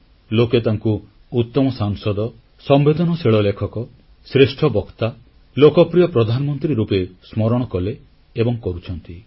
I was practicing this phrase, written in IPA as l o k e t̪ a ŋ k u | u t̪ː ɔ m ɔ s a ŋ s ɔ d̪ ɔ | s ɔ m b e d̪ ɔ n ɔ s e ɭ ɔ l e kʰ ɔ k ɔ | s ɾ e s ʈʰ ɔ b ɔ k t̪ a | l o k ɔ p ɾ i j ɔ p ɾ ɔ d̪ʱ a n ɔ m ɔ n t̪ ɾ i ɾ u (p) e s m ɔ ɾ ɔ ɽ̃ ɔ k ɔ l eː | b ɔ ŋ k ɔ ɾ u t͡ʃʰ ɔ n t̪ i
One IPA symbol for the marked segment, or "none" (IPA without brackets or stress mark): p